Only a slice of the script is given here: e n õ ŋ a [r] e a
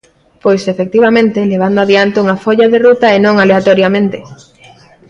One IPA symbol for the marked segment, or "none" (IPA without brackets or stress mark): l